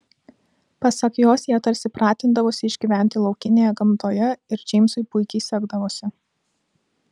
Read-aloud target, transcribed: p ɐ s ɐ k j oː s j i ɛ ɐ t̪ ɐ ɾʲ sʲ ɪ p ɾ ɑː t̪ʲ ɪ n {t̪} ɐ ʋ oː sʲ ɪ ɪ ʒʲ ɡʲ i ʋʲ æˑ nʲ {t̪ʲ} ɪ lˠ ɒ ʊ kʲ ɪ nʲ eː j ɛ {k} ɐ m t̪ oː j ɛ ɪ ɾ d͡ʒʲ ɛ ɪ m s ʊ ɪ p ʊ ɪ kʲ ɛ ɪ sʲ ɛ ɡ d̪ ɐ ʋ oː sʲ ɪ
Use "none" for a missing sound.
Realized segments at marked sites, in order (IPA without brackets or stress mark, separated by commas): d̪, t̪ʲ, ɡ